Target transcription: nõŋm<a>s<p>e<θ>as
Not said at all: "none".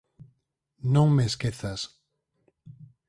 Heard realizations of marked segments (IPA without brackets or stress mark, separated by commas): e, k, θ